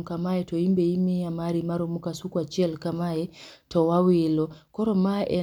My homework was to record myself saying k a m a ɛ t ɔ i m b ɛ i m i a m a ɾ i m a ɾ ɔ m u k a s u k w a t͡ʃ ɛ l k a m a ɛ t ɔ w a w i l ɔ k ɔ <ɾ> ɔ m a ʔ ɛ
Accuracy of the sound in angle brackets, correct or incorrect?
correct